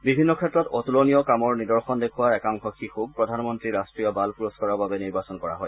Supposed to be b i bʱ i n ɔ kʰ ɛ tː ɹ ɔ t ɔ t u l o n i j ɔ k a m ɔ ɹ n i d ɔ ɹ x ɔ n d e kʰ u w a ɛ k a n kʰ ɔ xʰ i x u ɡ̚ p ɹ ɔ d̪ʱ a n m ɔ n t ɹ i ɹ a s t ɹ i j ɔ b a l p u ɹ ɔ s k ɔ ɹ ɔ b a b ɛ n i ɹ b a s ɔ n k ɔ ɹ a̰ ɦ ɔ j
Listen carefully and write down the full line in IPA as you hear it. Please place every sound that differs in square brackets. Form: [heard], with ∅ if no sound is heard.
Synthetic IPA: b i bʱ i [nː] ɔ kʰ ɛ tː ɹ ɔ t ɔ t u l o n i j ɔ k a m ɔ ɹ n i d ɔ ɹ x ɔ n d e kʰ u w a ɛ k a [ŋ] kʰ ɔ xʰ i x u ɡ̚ p ɹ ɔ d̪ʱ a n m ɔ n t ɹ i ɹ a s t ɹ i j ɔ b a l p u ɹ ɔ s k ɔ ɹ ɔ b a b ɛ n i ɹ b a s ɔ n k ɔ ɹ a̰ ɦ ɔ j